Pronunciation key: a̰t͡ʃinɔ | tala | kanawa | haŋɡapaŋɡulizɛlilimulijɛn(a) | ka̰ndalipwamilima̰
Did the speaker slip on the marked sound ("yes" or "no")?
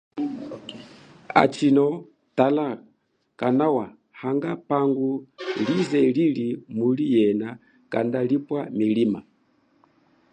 no